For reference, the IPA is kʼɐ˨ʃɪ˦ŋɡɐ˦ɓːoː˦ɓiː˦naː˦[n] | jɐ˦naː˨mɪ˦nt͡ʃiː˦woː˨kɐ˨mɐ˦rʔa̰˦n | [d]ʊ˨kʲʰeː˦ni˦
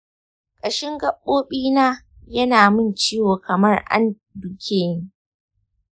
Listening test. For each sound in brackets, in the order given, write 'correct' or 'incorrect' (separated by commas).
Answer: incorrect, correct